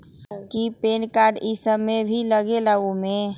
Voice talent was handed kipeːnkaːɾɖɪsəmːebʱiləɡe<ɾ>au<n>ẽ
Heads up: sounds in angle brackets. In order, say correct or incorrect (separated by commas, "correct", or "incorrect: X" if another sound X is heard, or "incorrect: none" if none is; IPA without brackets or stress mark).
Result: incorrect: l, incorrect: m